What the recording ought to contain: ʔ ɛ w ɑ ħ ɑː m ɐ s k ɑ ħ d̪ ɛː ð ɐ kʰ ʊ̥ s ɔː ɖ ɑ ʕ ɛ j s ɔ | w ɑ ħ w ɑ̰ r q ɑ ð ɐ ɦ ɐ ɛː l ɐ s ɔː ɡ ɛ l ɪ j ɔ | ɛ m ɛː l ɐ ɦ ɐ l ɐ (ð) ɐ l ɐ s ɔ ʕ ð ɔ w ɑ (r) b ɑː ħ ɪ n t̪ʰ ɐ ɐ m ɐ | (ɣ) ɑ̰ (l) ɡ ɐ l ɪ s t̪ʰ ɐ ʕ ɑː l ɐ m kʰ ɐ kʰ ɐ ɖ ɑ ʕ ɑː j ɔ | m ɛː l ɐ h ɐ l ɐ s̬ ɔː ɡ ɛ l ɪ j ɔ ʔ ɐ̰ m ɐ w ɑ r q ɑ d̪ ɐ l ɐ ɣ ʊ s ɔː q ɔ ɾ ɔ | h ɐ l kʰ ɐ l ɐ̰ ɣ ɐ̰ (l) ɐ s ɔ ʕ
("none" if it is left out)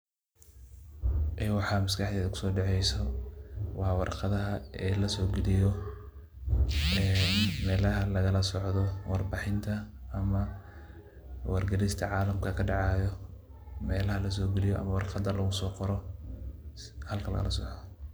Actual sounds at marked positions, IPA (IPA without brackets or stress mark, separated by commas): ɣ, r, w, r, l